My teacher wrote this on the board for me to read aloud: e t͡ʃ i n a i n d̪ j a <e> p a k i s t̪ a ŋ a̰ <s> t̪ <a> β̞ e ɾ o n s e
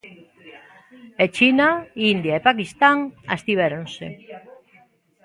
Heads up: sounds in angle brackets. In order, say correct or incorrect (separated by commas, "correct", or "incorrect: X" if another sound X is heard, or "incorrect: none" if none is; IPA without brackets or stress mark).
correct, correct, incorrect: i